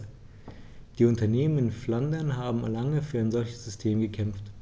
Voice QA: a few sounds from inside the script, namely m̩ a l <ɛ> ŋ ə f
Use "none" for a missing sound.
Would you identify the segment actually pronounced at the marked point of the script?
a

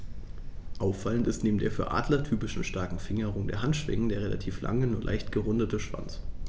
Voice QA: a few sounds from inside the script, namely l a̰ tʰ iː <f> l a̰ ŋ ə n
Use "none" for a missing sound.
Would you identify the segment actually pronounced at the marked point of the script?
f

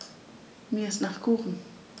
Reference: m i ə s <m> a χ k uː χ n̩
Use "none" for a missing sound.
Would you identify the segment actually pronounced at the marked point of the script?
n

